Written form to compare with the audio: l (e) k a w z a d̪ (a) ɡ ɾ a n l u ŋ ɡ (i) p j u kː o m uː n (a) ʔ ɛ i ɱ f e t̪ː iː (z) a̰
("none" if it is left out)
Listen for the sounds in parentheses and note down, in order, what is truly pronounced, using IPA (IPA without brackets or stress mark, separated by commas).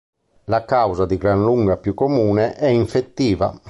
a, i, a, ɛ, v